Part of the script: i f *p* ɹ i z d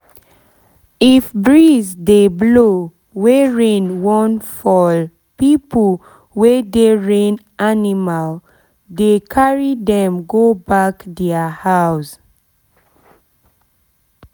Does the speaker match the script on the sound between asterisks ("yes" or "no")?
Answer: no